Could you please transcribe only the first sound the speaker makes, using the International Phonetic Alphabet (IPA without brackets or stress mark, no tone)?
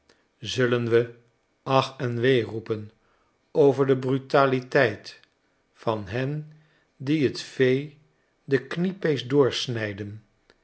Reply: z